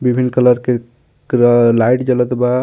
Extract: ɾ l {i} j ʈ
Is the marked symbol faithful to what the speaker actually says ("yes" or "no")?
no